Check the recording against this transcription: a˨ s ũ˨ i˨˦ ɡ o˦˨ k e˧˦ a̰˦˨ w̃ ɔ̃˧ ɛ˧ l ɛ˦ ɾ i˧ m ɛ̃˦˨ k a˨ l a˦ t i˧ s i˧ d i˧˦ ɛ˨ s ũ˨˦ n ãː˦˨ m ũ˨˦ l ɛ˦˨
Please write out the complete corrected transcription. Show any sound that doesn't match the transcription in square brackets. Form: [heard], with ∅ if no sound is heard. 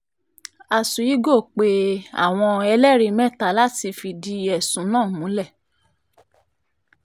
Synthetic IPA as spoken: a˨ s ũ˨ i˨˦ ɡ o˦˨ [k͡p] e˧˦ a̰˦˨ w̃ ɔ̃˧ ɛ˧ l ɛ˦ ɾ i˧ m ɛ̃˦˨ [t] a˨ l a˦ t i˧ [f] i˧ d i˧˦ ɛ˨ s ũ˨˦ n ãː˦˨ m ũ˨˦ l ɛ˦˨